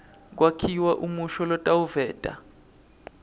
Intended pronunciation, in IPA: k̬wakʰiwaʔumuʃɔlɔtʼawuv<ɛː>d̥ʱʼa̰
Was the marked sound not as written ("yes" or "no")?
no